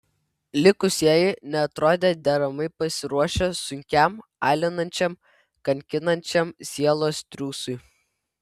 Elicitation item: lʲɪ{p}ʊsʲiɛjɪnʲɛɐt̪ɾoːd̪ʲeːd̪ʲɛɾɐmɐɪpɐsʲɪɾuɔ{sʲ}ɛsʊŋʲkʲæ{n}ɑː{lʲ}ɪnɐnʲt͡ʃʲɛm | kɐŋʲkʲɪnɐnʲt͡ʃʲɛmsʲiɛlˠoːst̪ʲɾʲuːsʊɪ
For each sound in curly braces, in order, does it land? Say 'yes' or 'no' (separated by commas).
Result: no, no, no, yes